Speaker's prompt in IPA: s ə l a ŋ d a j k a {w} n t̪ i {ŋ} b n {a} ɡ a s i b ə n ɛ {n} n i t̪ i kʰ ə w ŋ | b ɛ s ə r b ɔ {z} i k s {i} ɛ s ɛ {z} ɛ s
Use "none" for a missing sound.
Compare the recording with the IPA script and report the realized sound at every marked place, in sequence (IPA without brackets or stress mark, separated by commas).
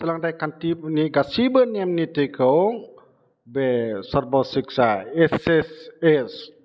none, none, i, m, s, a, s